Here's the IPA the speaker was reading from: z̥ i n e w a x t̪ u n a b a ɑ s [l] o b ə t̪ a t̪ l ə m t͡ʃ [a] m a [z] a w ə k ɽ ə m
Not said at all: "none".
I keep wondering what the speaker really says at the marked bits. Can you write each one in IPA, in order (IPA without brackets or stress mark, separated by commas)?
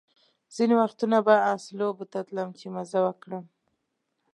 l, e, z